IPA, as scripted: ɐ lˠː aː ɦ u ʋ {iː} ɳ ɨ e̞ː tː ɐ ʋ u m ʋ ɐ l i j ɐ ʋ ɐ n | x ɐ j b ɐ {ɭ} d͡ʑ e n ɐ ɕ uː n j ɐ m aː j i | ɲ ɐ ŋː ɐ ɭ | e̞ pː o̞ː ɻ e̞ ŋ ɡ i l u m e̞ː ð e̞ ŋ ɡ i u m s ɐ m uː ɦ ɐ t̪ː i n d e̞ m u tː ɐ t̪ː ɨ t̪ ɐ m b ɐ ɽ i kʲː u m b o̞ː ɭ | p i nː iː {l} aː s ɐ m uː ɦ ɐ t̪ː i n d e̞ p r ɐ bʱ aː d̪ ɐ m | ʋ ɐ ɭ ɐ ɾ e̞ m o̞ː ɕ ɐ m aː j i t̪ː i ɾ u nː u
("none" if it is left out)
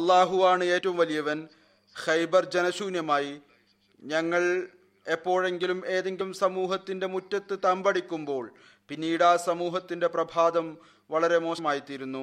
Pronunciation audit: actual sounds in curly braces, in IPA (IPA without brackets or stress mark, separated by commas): aː, r, ɽ